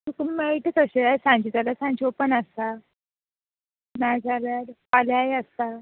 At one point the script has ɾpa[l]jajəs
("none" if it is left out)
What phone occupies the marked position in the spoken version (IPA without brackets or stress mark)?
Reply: l